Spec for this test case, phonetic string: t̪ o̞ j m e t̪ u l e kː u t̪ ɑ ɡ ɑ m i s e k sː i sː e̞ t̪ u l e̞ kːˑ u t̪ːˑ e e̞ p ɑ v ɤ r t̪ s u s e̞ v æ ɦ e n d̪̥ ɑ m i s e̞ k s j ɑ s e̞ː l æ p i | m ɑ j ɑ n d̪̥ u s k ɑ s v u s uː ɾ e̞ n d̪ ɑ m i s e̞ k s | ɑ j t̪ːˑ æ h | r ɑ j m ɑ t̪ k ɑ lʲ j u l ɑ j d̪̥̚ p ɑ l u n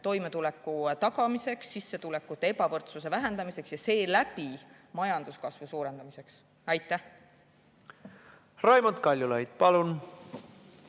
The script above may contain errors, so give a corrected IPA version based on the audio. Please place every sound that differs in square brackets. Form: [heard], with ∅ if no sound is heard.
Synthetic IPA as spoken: t̪ o̞ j m e t̪ u l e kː u t̪ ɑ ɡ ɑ m i s e k sː i sː e̞ t̪ u l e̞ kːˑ u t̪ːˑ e e̞ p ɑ v ɤ r t̪ s u s e̞ v æ ɦ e n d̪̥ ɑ m i s e̞ k s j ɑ s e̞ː l æ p i | m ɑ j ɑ n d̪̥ u s k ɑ s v u s uː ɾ e̞ n d̪ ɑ m i s e̞ k s | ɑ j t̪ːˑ æ h | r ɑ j m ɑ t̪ k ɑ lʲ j u l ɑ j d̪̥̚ p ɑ l u n